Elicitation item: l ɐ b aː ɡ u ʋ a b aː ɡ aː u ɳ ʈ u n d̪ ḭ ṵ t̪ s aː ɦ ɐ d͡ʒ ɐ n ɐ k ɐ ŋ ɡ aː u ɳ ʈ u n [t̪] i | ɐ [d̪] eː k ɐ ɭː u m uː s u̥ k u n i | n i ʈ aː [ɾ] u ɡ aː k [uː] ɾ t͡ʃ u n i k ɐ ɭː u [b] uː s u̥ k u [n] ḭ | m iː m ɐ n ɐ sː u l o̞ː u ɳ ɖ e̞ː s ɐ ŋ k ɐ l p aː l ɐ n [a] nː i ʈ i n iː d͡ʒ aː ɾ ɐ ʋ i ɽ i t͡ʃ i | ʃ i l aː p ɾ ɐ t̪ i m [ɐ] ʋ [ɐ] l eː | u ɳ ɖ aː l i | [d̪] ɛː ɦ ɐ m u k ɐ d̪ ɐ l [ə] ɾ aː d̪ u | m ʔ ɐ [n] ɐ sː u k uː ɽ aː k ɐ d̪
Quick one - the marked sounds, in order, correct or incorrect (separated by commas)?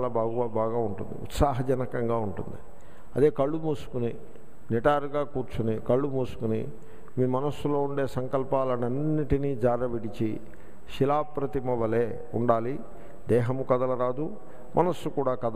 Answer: incorrect, correct, correct, correct, incorrect, correct, incorrect, correct, correct, correct, incorrect, correct